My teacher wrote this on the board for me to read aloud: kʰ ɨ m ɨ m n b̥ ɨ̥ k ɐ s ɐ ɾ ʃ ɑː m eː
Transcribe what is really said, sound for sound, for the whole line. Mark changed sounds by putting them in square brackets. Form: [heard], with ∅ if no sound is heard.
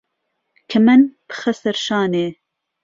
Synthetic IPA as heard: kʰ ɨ m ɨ [∅] n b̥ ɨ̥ [x] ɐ s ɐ ɾ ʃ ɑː [n] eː

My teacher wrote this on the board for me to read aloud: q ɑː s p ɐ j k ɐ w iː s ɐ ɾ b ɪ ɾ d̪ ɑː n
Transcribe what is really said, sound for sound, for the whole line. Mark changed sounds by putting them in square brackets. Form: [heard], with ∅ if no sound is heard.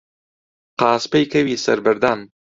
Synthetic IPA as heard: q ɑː s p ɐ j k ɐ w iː s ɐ ɾ b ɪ ɾ d̪ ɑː n

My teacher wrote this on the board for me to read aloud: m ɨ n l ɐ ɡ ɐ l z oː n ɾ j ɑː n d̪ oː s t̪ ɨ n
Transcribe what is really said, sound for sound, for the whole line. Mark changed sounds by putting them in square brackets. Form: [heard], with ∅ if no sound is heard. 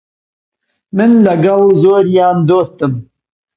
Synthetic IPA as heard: m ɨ n l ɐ ɡ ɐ l z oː [∅] ɾ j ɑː n d̪ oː s t̪ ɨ [m]

